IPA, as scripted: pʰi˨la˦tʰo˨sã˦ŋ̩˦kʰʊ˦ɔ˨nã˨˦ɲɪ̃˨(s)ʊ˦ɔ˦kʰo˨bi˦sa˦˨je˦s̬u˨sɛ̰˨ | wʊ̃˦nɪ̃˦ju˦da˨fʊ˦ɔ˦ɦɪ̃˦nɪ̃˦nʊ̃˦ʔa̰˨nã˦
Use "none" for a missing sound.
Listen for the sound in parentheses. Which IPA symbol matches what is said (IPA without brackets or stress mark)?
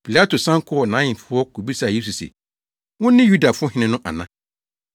f